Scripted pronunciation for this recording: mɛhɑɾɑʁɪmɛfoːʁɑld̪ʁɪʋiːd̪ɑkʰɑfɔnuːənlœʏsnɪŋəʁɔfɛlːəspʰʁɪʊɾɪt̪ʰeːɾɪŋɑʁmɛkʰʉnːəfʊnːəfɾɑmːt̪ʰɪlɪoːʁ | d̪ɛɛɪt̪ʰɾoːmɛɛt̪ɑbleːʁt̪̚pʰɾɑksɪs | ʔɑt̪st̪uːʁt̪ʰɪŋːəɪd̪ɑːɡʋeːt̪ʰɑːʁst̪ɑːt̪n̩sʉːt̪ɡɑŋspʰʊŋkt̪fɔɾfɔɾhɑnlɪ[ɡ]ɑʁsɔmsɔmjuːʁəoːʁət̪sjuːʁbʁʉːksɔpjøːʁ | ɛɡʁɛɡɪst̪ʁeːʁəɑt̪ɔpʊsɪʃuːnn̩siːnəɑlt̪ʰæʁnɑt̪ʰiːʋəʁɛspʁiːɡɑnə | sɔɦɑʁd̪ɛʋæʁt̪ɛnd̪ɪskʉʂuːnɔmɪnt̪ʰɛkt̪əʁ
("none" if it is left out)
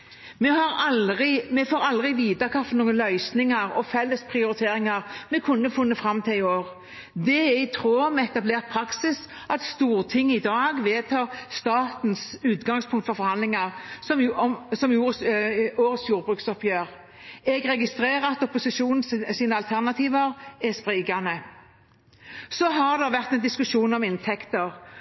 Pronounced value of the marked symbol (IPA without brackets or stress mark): ŋ